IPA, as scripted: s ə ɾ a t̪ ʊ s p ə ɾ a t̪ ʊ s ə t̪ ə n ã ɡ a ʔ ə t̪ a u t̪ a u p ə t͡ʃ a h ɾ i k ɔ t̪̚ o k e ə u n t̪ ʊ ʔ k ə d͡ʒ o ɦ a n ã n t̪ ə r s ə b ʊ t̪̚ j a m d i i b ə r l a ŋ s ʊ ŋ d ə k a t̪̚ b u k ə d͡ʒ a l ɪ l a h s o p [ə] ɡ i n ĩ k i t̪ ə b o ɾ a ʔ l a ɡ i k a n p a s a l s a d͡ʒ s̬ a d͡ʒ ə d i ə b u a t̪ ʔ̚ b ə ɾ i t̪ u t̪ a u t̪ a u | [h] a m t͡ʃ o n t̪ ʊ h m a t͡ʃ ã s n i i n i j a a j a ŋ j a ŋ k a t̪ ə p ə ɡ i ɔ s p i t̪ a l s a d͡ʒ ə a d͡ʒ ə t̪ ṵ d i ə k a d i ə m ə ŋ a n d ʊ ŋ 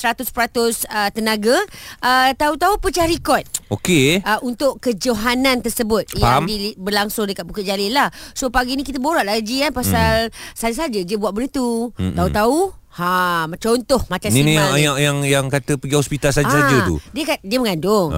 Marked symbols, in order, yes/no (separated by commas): no, yes